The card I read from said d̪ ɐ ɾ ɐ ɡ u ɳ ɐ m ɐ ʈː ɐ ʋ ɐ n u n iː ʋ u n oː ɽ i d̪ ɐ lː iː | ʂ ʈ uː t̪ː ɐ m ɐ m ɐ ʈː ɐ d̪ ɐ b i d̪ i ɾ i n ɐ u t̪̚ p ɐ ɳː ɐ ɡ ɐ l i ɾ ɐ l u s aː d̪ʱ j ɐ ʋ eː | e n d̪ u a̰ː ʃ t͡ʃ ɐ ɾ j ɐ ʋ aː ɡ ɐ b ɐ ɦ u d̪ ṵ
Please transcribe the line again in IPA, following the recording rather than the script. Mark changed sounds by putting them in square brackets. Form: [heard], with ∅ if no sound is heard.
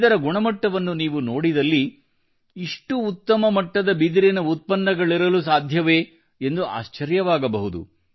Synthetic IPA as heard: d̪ ɐ ɾ ɐ ɡ u ɳ ɐ m ɐ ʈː ɐ ʋ ɐ [nː] u n iː ʋ u n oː ɽ i d̪ ɐ lː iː | ʂ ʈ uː t̪ː ɐ m ɐ m ɐ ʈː ɐ d̪ ɐ b i d̪ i ɾ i n ɐ u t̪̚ p ɐ [nː] ɐ ɡ ɐ [ɭ] i ɾ ɐ l u s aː d̪ʱ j ɐ ʋ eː | e n d̪ u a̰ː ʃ t͡ʃ ɐ ɾ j ɐ ʋ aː ɡ ɐ b ɐ ɦ u d̪ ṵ